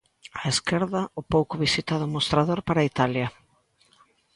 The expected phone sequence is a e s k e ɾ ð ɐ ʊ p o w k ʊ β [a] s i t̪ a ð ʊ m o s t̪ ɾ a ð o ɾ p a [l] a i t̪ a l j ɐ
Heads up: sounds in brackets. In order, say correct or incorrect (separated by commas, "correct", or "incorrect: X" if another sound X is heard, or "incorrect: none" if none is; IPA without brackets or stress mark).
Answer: incorrect: i, incorrect: ɾ